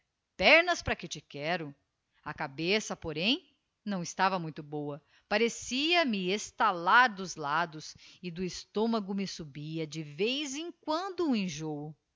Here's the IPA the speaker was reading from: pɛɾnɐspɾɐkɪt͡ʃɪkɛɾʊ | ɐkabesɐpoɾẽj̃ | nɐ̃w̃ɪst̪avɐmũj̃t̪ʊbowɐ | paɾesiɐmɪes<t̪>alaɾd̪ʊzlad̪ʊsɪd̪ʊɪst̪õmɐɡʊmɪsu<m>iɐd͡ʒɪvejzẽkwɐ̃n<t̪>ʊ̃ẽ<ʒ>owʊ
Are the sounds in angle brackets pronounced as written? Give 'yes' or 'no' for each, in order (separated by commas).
yes, no, no, yes